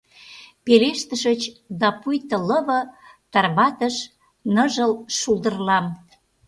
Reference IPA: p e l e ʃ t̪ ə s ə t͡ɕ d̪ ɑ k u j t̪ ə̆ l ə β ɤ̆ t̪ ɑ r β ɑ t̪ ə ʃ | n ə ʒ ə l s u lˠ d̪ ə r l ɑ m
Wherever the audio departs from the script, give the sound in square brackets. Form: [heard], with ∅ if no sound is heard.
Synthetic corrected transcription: p e l e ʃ t̪ ə [ʃ] ə t͡ɕ d̪ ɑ [p] u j t̪ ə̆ l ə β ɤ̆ t̪ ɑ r β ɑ t̪ ə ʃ | n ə ʒ ə l [ʃ] u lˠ d̪ ə r l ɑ m